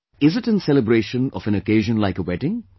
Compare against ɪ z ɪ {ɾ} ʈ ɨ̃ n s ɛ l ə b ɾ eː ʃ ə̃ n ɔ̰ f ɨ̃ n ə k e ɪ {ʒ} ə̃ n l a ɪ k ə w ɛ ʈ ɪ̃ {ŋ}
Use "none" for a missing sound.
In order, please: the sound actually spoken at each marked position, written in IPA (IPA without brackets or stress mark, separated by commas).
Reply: none, ʒ, ŋ